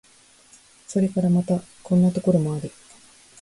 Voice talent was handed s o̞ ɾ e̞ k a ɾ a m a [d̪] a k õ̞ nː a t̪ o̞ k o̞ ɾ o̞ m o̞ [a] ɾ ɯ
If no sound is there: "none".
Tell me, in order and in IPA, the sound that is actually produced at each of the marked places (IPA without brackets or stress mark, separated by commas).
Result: t̪, a